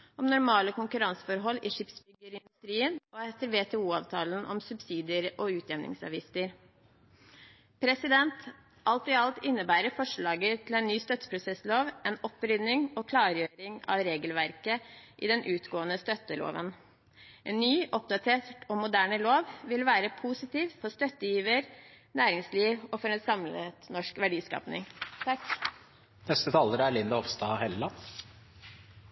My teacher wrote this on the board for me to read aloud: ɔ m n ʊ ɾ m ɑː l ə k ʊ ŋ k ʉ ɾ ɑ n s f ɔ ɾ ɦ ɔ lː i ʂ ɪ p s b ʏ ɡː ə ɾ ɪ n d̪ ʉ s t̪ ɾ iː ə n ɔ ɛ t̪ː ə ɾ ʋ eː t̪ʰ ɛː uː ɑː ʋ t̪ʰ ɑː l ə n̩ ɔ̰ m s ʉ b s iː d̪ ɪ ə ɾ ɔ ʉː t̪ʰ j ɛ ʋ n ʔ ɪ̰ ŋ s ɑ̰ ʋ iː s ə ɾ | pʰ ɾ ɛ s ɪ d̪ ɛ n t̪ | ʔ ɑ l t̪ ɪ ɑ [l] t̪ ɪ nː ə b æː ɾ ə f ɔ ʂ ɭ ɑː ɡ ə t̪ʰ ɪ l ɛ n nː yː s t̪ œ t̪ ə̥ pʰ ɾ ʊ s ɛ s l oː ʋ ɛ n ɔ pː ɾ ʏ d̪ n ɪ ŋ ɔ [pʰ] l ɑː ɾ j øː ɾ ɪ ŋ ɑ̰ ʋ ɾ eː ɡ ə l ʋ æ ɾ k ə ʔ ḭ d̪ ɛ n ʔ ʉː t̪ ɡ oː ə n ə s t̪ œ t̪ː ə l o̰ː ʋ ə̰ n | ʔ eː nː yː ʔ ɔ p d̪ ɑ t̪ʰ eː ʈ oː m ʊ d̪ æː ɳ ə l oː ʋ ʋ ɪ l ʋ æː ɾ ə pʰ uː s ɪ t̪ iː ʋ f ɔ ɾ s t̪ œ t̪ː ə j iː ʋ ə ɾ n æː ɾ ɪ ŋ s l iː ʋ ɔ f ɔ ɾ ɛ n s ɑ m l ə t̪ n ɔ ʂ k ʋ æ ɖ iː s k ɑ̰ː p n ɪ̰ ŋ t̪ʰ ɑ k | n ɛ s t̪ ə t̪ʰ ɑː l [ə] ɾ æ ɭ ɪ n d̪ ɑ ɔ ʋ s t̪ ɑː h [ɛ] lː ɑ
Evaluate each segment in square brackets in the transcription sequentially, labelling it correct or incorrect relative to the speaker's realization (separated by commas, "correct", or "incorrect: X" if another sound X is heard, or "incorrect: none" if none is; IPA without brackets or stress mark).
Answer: correct, incorrect: kʰ, correct, correct